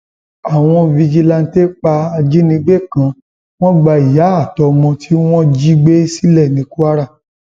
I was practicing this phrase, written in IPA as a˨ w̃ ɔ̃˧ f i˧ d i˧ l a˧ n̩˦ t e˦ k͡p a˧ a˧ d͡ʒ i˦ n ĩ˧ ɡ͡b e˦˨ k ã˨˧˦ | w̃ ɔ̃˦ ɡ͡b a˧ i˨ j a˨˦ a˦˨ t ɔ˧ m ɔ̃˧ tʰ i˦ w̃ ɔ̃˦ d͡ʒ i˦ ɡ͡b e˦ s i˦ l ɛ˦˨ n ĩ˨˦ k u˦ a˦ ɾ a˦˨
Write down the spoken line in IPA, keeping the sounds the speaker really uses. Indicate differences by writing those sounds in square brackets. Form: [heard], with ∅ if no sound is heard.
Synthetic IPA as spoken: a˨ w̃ ɔ̃˧ [v] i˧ [d͡ʒ] i˧ l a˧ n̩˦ t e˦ k͡p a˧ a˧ d͡ʒ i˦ n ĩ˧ ɡ͡b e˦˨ k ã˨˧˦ | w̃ ɔ̃˦ ɡ͡b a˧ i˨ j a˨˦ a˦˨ t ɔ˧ m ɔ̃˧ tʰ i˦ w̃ ɔ̃˦ d͡ʒ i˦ ɡ͡b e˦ s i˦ l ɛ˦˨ n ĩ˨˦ k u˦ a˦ ɾ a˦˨